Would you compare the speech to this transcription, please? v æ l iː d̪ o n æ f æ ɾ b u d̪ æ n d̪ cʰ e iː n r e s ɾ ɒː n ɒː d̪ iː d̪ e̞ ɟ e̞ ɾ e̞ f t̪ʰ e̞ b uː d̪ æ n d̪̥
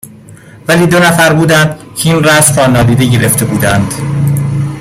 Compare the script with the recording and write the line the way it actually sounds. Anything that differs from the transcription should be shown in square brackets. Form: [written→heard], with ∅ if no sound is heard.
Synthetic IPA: v æ l iː d̪ o n æ f æ ɾ b [u→uː] d̪ æ n d̪ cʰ e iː n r [e→æ] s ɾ ɒː n ɒː d̪ iː d̪ e̞ ɟ e̞ ɾ e̞ f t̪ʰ e̞ b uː d̪ æ n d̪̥